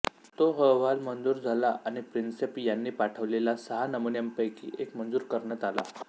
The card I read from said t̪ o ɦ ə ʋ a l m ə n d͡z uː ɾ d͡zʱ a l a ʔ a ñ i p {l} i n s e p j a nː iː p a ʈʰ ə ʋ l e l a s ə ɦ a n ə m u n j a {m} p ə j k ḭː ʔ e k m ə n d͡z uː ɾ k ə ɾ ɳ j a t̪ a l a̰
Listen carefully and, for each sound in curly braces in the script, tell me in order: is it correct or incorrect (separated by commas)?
incorrect, correct